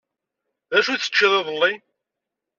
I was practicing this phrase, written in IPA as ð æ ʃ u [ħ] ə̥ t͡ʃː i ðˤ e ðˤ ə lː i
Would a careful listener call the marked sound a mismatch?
yes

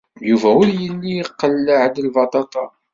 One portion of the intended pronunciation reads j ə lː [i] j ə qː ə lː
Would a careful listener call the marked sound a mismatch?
no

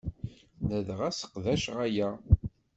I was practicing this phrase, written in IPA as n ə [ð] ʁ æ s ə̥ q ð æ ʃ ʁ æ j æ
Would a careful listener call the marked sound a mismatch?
no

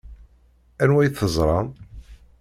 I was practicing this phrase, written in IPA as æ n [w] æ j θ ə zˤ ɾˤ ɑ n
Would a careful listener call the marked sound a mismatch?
no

